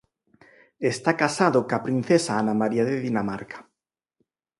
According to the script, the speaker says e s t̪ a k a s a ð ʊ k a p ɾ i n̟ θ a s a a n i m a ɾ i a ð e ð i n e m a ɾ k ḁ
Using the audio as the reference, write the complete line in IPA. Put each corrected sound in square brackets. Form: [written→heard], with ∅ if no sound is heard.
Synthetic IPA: e s t̪ a k a s a ð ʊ k a p ɾ i n̟ θ [a→e] s a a n [i→a] m a ɾ i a ð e ð i n [e→a] m a ɾ k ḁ